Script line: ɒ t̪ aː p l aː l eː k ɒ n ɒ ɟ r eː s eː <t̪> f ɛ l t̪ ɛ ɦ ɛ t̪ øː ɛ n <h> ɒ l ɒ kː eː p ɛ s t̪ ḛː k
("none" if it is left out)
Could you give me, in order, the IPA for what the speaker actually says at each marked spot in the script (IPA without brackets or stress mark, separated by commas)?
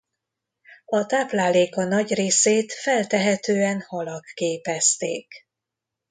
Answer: t̪, h